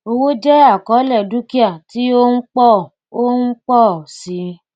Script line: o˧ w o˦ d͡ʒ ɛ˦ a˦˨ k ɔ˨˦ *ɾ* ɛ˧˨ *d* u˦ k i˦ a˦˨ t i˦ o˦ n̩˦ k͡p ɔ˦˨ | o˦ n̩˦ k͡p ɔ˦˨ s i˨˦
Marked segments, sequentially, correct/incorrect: incorrect, correct

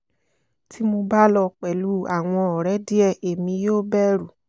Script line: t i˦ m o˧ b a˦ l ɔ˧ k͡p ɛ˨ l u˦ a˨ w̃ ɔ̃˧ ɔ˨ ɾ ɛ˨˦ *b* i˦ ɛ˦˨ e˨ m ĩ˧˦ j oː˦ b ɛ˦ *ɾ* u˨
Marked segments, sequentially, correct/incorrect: incorrect, correct

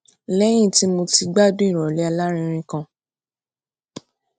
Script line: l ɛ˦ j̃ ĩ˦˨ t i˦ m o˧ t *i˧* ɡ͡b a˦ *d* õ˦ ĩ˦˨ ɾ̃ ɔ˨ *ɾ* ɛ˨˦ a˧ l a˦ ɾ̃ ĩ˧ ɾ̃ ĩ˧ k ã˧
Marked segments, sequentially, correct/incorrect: correct, correct, incorrect

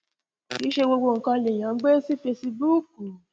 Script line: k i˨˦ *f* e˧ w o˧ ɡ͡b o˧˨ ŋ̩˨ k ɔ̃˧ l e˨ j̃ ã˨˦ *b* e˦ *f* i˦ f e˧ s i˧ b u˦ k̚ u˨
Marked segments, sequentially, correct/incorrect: incorrect, incorrect, incorrect

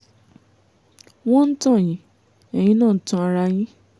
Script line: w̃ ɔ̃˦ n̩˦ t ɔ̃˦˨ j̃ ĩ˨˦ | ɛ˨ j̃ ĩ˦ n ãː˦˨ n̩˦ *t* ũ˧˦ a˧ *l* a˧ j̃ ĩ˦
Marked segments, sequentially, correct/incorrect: correct, incorrect

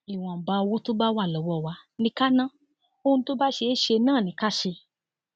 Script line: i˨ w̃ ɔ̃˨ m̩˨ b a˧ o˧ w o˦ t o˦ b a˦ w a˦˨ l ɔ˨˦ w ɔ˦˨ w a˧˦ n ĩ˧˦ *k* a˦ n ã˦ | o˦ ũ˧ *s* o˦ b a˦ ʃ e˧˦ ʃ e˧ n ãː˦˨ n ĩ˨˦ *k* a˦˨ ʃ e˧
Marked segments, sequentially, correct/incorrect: correct, incorrect, correct

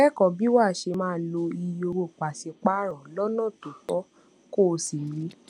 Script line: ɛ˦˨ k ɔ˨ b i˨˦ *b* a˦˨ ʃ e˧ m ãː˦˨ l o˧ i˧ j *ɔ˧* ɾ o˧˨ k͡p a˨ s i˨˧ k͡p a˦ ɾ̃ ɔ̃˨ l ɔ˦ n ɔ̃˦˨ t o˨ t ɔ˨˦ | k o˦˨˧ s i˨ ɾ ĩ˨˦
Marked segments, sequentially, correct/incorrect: incorrect, incorrect

